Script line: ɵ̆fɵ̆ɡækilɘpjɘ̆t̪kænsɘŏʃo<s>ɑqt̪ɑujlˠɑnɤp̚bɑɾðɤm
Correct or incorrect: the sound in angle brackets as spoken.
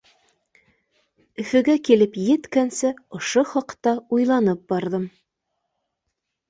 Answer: incorrect: χ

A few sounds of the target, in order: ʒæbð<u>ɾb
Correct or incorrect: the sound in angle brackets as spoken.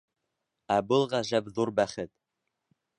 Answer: correct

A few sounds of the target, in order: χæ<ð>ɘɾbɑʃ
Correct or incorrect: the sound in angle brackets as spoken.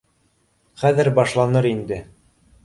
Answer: correct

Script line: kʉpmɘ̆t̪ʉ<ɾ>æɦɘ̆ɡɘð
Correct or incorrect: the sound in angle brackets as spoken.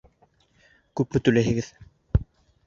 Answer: incorrect: l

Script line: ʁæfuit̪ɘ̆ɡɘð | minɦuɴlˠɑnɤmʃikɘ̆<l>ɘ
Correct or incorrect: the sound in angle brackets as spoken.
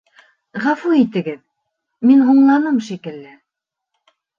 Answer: incorrect: lː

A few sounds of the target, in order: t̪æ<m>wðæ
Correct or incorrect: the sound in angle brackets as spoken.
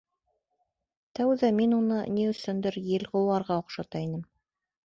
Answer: incorrect: none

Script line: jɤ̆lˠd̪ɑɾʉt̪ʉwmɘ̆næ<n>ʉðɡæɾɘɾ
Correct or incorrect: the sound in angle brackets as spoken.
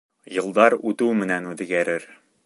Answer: correct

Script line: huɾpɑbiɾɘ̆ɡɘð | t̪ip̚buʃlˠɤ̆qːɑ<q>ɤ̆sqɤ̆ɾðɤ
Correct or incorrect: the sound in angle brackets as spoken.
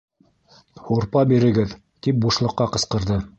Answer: correct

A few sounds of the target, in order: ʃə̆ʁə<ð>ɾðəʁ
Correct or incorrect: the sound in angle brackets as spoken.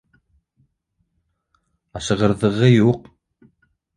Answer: incorrect: none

